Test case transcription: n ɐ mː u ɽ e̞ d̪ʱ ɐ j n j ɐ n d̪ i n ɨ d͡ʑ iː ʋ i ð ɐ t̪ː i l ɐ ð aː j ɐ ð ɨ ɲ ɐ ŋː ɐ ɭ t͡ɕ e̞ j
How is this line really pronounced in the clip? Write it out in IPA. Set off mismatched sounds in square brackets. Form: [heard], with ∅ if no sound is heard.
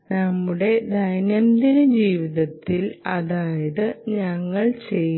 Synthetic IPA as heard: n ɐ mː u ɽ e̞ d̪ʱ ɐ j n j ɐ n d̪ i n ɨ d͡ʑ iː ʋ i ð ɐ t̪ː i l ɐ ð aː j ɐ ð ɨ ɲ ɐ ŋː ɐ ɭ t͡ɕ e̞ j